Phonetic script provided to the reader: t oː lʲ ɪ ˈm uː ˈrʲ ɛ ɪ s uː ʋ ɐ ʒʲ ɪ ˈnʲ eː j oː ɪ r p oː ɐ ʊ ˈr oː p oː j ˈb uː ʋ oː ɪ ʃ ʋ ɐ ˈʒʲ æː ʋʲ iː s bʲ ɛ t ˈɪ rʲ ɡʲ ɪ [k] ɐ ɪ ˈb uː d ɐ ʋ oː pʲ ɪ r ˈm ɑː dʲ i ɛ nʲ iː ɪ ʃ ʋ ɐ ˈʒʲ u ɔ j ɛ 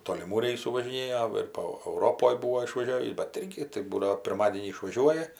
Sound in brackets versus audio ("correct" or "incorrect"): incorrect